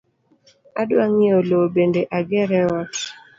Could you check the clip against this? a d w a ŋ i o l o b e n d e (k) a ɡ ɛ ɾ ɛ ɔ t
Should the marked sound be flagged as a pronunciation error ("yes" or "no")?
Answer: yes